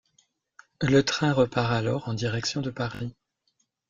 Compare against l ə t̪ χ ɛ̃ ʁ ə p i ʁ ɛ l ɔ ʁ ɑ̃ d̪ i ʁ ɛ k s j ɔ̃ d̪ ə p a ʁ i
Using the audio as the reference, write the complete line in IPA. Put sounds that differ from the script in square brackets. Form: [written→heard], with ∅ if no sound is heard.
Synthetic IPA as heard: l ə t̪ χ ɛ̃ ʁ ə p [i→a] ʁ [ɛ→a] l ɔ ʁ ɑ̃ d̪ i ʁ ɛ k s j ɔ̃ d̪ ə p a ʁ i